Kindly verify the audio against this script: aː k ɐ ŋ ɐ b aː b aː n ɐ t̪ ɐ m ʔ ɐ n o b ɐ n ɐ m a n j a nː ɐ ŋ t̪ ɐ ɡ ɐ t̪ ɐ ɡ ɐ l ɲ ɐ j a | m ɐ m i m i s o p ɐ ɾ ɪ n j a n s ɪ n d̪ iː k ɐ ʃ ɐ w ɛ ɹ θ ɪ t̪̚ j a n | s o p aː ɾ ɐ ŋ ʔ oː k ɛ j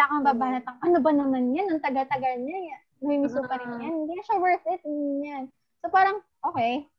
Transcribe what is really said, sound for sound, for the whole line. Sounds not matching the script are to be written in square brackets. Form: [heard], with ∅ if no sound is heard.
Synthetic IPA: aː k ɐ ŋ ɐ b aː b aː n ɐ t̪ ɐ [ŋ] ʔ ɐ n o b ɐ n ɐ m a n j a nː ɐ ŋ t̪ ɐ ɡ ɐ t̪ ɐ ɡ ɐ l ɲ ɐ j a | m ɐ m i m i s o p ɐ ɾ ɪ n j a n [h] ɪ n d̪ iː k ɐ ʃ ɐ w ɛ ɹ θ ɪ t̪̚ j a n | s o p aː ɾ ɐ ŋ ʔ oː k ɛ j